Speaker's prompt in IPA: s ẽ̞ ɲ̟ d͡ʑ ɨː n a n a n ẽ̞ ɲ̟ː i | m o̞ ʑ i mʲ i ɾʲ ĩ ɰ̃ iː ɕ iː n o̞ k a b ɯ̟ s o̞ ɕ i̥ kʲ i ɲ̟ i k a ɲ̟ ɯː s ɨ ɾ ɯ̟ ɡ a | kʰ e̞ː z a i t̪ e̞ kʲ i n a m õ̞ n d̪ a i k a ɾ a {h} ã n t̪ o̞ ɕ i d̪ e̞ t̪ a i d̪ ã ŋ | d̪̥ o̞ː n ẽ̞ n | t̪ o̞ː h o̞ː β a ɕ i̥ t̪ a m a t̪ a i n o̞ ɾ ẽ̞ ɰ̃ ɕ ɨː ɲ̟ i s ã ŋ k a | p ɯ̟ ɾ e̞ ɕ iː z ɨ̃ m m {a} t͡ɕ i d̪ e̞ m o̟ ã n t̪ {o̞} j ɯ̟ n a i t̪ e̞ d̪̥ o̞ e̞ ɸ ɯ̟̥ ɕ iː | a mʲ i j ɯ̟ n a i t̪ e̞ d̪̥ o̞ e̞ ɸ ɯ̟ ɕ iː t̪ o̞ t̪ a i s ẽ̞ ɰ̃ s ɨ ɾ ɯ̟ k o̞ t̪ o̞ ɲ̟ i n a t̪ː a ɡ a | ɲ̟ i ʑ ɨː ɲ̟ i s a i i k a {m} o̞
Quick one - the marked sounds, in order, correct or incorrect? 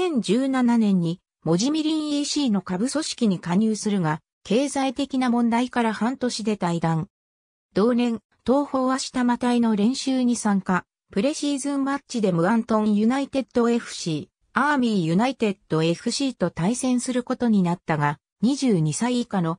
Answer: correct, correct, incorrect: õ̞, incorrect: n

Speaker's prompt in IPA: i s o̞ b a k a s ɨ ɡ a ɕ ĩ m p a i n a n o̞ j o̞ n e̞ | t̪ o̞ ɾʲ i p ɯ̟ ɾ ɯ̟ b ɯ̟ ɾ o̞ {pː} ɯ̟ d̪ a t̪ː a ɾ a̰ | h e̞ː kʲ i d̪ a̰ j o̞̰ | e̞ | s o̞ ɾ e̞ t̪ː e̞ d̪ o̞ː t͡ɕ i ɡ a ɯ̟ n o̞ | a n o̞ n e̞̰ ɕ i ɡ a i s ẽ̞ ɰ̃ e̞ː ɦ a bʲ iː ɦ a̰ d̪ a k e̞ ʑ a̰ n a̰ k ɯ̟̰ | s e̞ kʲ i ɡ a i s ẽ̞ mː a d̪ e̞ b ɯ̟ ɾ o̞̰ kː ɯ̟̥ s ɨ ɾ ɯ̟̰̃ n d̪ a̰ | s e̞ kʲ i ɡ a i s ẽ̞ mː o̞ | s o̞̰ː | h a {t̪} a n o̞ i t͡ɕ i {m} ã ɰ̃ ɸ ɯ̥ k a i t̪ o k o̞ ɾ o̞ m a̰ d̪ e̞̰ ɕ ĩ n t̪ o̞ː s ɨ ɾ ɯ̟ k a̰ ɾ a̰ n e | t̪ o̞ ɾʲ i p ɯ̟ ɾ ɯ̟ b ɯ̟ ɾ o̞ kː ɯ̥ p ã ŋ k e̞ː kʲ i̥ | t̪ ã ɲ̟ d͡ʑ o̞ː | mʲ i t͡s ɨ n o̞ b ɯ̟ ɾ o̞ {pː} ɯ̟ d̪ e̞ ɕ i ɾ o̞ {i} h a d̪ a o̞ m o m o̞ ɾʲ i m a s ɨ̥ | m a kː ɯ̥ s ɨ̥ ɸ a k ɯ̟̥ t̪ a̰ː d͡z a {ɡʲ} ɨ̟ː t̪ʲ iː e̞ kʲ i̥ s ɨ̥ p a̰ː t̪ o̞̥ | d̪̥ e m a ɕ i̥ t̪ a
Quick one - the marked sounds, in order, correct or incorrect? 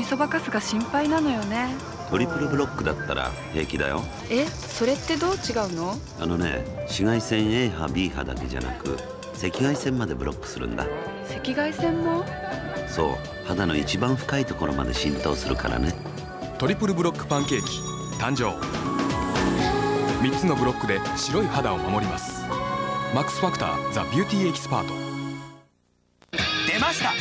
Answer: incorrect: kː, incorrect: d̪, incorrect: b, incorrect: kː, correct, incorrect: bʲ

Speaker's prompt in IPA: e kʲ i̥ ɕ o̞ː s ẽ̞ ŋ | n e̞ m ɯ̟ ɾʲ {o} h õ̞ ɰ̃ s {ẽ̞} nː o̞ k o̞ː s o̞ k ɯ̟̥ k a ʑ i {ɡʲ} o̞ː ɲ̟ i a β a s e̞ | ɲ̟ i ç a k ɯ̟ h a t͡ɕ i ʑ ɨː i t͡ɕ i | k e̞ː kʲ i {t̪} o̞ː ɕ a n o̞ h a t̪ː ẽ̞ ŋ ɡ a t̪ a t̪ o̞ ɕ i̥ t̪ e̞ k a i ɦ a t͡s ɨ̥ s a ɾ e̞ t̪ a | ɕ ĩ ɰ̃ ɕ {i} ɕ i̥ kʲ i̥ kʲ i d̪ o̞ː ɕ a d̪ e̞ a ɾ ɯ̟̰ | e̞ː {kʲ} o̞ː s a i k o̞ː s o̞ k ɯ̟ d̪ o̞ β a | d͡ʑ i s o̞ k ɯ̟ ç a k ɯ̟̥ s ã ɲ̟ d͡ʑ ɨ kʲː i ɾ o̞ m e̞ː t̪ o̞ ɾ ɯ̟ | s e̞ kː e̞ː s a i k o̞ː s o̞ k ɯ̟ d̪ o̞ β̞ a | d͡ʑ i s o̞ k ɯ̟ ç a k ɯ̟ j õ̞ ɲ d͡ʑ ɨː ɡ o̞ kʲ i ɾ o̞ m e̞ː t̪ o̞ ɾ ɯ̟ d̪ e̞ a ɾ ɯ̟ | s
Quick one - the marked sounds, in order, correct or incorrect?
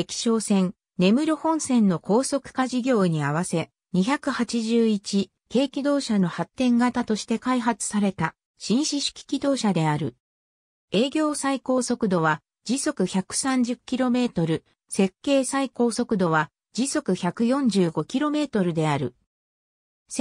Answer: correct, correct, correct, incorrect: d̪, correct, incorrect: ɡʲ

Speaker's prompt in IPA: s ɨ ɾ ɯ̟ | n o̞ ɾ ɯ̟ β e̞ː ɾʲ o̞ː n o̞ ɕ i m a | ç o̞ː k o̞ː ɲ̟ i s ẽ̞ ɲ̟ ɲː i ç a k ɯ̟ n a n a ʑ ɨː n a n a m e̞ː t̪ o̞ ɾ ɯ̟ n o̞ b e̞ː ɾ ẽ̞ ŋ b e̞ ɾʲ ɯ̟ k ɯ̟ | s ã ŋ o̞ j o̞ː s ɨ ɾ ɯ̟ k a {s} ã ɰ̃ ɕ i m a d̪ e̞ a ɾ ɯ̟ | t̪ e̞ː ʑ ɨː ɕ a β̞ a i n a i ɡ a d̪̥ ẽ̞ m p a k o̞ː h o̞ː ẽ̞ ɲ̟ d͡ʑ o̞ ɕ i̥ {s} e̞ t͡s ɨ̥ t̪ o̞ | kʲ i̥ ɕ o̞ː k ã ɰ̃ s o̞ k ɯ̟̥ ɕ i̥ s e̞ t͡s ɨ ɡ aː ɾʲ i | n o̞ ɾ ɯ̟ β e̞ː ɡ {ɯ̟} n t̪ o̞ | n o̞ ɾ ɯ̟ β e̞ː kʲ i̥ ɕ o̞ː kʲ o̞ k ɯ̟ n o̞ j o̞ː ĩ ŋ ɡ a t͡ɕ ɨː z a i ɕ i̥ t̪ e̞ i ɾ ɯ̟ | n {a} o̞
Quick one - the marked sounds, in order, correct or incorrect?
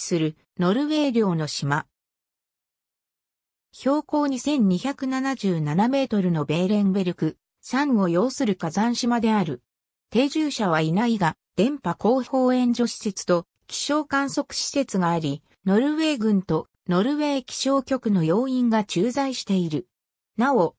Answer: incorrect: z, correct, incorrect: ɯ̟̃, correct

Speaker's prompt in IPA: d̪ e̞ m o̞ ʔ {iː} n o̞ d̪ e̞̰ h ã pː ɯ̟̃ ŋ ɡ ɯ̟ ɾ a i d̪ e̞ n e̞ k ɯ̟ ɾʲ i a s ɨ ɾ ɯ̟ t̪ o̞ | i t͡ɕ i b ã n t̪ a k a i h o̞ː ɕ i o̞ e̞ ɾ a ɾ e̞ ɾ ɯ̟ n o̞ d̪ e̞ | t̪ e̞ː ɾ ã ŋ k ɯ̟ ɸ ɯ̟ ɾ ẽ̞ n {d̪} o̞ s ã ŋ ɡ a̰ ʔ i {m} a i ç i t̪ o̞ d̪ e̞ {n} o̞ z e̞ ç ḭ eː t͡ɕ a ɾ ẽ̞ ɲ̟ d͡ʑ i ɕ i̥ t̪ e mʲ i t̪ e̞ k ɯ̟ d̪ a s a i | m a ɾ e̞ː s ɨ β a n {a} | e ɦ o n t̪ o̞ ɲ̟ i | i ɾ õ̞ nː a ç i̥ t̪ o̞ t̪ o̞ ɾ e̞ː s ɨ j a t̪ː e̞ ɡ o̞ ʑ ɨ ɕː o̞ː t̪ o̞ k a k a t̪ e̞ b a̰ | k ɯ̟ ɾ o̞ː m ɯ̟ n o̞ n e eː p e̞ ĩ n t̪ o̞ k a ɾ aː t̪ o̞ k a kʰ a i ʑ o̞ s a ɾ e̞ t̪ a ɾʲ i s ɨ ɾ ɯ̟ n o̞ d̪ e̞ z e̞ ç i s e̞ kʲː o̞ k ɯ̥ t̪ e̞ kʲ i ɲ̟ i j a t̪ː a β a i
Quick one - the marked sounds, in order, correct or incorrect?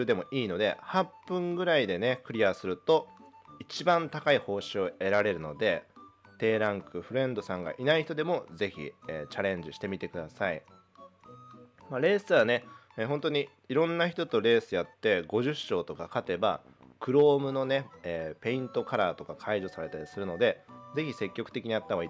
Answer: correct, correct, incorrect: n, incorrect: m, incorrect: e

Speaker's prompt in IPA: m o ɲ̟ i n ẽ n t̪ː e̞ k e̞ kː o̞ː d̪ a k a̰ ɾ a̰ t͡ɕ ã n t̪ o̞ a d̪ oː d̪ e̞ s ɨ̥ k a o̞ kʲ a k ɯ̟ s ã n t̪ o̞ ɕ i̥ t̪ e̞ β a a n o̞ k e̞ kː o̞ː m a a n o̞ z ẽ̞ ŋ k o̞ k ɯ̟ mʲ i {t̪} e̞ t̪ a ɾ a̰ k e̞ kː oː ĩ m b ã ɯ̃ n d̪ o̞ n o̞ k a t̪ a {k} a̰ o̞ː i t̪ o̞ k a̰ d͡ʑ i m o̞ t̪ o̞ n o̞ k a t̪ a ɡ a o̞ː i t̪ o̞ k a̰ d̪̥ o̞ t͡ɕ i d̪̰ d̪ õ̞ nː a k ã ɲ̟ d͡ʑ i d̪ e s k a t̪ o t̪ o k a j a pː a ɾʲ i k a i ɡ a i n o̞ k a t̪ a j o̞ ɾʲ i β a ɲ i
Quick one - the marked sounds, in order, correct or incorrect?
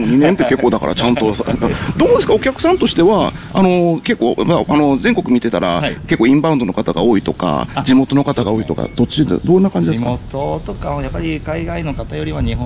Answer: correct, incorrect: ɡ

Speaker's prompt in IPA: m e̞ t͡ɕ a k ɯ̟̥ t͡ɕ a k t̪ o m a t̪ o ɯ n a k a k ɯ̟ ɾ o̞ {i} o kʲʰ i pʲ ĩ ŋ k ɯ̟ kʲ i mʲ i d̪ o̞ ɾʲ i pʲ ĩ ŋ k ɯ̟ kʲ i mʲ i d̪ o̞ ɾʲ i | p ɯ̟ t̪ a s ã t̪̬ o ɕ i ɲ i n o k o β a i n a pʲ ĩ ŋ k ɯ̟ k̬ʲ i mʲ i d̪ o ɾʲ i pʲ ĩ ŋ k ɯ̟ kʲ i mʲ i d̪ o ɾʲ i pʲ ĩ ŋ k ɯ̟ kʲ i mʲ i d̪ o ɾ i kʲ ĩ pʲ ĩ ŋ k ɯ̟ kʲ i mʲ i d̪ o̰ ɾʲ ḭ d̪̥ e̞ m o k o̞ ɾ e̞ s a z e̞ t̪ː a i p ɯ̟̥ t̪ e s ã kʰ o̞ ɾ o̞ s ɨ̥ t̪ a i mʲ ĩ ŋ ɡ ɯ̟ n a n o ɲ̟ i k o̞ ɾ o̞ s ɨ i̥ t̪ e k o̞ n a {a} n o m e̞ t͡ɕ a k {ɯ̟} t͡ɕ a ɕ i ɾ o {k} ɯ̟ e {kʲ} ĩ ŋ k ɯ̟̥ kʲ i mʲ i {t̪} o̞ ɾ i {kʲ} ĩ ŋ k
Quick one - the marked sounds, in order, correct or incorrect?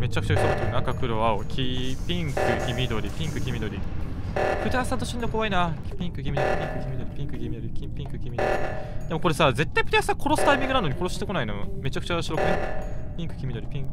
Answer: incorrect: a, incorrect: i, correct, correct, incorrect: pʲ, incorrect: d̪, incorrect: pʲ

